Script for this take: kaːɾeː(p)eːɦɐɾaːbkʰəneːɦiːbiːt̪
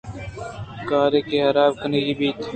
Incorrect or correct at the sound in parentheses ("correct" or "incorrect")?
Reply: incorrect